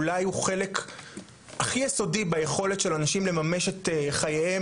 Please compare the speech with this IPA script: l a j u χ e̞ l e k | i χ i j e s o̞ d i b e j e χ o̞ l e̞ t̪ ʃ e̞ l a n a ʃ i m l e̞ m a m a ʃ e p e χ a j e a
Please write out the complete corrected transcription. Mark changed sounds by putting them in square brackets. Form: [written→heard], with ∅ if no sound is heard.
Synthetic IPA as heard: l a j u χ e̞ l e k | [i→a] χ i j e s o̞ d i b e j e χ o̞ l e̞ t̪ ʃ e̞ l a n a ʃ i m l e̞ m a m [a→e] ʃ e [p→t] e χ a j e [a→e]